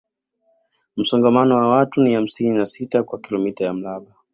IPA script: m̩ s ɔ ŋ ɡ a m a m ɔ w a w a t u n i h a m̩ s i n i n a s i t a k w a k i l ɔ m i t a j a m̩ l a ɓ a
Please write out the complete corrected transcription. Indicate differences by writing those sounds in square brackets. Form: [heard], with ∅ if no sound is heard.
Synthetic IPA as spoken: m̩ s ɔ ŋ ɡ a m a [n] ɔ w a w a t u n i h a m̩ s i n i n a s i t a k w a k i l ɔ m i t a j a m̩ l a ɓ a